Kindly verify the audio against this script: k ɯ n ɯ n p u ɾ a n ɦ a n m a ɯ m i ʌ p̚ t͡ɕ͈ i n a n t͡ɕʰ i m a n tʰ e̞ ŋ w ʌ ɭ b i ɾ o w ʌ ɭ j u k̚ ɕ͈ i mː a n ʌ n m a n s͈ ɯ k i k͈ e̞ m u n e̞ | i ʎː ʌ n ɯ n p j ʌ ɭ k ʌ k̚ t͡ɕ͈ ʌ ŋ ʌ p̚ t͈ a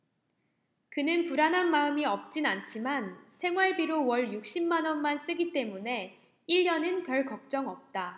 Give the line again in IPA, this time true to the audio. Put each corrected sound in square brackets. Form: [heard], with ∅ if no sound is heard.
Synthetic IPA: k ɯ n ɯ n p u ɾ a n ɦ a n m a ɯ m i ʌ p̚ t͡ɕ͈ i n a n t͡ɕʰ i m a n [sʰ] e̞ ŋ w [a] ɭ b i ɾ o w ʌ ɭ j u k̚ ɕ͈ i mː a n ʌ n m a n s͈ ɯ [ɡ] i [t͈] e̞ m u n e̞ | i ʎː ʌ n ɯ n p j ʌ ɭ k ʌ k̚ t͡ɕ͈ ʌ ŋ ʌ p̚ t͈ a